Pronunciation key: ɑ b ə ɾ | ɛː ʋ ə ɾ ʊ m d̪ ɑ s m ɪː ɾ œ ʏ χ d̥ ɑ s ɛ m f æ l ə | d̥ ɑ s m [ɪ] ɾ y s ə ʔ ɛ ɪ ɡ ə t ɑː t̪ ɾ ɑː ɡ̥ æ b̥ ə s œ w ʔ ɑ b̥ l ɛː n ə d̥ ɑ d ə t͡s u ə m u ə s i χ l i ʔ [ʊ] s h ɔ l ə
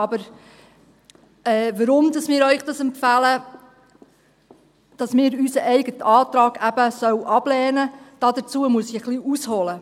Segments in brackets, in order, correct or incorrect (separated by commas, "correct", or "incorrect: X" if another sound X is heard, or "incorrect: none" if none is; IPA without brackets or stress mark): incorrect: ɪː, incorrect: u